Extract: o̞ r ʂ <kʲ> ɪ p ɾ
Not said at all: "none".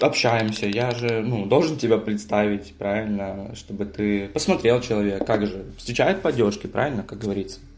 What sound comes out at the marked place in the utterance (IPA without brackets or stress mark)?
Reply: kʲ